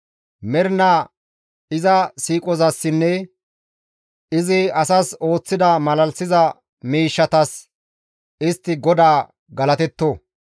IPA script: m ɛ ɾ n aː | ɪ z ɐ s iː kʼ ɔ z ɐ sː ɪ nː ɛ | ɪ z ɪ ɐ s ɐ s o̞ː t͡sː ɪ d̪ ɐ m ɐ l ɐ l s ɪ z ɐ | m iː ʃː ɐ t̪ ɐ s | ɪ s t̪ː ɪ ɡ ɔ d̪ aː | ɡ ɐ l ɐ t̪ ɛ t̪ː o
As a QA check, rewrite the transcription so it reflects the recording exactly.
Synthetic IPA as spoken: m ɛ ɾ n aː | ɪ z ɐ s iː kʼ ɔ z ɐ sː ɪ nː ɛ | ɪ z ɪ ɐ s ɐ s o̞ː t͡sː ɪ d̪ ɐ m ɐ l ɐ l s ɪ z ɐ | m iː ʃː ɐ t̪ ɐ s | ɪ s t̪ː ɪ ɡ ɔ d̪ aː | ɡ ɐ l ɐ t̪ ɛ t̪ː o

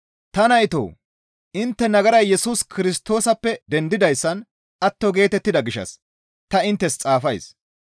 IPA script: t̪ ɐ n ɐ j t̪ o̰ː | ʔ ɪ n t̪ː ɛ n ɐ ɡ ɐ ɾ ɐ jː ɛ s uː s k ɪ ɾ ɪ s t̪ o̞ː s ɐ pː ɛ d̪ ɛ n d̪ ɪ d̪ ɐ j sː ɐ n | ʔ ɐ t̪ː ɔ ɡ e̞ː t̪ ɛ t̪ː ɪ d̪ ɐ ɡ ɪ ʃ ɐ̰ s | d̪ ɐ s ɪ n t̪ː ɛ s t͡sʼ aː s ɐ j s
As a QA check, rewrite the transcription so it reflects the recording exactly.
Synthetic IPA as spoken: t̪ ɐ n ɐ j t̪ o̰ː | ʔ ɪ n t̪ː ɛ n ɐ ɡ ɐ ɾ ɐ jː ɛ s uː s k ɪ ɾ ɪ s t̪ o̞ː s ɐ pː ɛ d̪ ɛ n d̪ ɪ d̪ ɐ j sː ɐ n | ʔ ɐ t̪ː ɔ ɡ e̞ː t̪ ɛ t̪ː ɪ d̪ ɐ ɡ ɪ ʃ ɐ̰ s | t̪ ɐ ɪ n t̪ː ɛ s t͡sʼ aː f ɐ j s

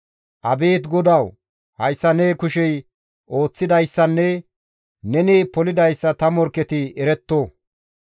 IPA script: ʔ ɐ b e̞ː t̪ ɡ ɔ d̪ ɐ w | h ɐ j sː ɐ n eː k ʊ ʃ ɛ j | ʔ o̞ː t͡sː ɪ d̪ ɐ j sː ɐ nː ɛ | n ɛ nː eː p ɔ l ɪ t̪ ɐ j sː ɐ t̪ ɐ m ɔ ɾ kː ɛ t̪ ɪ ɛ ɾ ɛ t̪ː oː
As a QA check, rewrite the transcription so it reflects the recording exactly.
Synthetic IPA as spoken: ʔ ɐ b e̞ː t̪ ɡ ɔ d̪ ɐ w | h ɐ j sː ɐ n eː k ʊ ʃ ɛ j | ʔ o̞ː t͡sː ɪ d̪ ɐ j sː ɐ nː ɛ | n ɛ n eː p ɔ l ɪ d̪ ɐ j sː ɐ t̪ ɐ m ɔ ɾ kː ɛ t̪ ɪ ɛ ɾ ɛ t̪ː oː

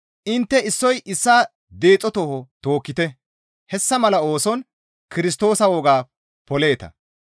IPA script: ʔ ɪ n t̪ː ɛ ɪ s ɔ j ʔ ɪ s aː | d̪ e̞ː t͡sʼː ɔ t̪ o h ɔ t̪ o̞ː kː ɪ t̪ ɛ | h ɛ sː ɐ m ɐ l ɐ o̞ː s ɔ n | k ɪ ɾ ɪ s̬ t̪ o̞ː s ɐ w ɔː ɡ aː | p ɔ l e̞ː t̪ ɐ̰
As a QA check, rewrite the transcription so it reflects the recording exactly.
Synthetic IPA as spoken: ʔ ɪ n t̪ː ɛ ɪ sː ɔ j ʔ ɪ sː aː | d̪ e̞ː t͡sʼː ɔ t̪ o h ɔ t̪ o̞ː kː ɪ t̪ ɛ | h ɛ sː ɐ m ɐ l ɐ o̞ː s ɔ n | k ɪ ɾ ɪ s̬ t̪ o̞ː s ɐ w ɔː ɡ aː | p ɔ l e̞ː t̪ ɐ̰

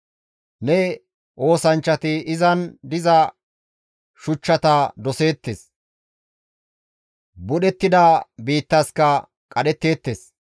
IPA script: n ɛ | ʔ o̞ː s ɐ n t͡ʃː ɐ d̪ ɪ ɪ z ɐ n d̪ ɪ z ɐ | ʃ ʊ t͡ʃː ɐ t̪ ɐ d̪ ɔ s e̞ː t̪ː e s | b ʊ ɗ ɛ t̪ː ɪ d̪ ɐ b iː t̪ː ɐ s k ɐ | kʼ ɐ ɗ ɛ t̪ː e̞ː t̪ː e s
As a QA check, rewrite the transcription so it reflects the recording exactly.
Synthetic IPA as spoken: n ɛ | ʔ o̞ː s ɐ n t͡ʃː ɐ t̪ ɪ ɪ z ɐ n d̪ ɪ z ɐ | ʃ ʊ t͡ʃː ɐ t̪ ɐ d̪ ɔ s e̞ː t̪ː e s | b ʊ ɗ ɛ t̪ː ɪ d̪ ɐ b iː t̪ː ɐ s k ɐ | kʼ ɐ ɗ ɛ t̪ː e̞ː t̪ː e s

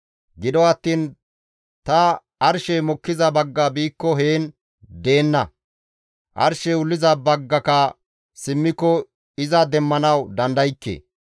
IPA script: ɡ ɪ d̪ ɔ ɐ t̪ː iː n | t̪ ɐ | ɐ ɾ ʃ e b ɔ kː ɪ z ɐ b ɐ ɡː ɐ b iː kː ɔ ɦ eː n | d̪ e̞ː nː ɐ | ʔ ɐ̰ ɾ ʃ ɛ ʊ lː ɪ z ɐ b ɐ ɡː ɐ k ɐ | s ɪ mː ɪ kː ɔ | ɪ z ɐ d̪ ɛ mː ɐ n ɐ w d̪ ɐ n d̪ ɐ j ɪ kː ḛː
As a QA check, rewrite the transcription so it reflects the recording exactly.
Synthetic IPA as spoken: ɡ ɪ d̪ ɔ ɐ t̪ː iː n | t̪ ɐ | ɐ ɾ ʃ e m ɔ kː ɪ z ɐ b ɐ ɡː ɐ b iː kː ɔ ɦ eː n | d̪ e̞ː nː ɐ | ʔ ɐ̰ ɾ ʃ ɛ ʊ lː ɪ z ɐ b ɐ ɡː ɐ k ɐ | s ɪ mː ɪ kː ɔ | ɪ z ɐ d̪ ɛ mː ɐ n ɐ w d̪ ɐ n d̪ ɐ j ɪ kː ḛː

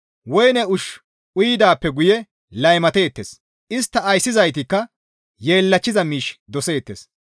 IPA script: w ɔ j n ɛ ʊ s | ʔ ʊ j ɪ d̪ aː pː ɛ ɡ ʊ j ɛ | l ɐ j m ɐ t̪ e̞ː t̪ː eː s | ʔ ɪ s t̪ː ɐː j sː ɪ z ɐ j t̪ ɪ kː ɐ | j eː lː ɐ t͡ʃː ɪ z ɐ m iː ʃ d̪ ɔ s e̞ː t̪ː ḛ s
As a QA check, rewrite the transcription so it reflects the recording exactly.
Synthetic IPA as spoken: w ɔ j n ɛ ʊ ʃ | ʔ ʊ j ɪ d̪ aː pː ɛ ɡ ʊ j ɛ | l ɐ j m ɐ t̪ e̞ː t̪ː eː s | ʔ ɪ s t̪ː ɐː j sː ɪ z ɐ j t̪ ɪ kː ɐ | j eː lː ɐ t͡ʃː ɪ z ɐ m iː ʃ d̪ ɔ s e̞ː t̪ː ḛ s

